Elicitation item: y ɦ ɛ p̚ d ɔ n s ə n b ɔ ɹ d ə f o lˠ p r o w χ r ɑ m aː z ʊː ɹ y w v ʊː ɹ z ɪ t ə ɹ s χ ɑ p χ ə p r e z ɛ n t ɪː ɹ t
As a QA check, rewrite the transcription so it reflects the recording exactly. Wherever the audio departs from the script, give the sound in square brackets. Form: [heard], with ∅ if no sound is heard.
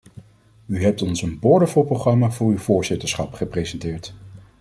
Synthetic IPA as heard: y ɦ ɛ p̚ [t] ɔ n s ə n b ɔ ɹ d ə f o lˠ p r o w χ r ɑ m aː [v] ʊː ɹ y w v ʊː ɹ z ɪ t ə ɹ s χ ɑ p χ ə p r e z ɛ n t ɪː ɹ t